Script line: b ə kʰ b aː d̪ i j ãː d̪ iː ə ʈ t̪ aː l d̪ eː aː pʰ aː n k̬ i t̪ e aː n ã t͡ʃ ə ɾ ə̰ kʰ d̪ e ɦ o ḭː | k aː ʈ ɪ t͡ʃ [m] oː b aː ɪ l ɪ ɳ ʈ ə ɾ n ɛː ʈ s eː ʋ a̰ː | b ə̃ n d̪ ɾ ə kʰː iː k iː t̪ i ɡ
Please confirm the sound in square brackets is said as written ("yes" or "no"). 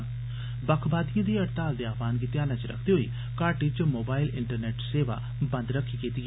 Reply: yes